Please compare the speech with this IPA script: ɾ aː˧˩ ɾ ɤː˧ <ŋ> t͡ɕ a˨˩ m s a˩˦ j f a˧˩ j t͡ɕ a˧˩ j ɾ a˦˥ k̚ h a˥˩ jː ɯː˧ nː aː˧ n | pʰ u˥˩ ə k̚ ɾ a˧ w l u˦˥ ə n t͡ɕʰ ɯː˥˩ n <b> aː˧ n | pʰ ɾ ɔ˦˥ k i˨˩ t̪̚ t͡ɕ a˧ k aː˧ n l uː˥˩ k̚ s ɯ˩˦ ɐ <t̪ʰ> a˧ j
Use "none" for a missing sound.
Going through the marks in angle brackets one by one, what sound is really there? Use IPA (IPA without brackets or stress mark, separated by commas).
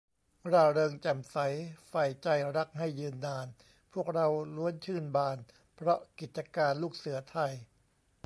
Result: ŋ, b, t̪ʰ